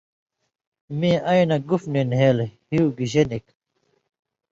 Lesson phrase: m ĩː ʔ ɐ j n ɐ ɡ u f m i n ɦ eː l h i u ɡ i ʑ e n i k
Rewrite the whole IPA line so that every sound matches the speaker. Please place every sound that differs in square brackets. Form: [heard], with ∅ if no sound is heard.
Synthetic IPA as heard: m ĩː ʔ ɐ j n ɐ ɡ u f [n] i n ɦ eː l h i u ɡ i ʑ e n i k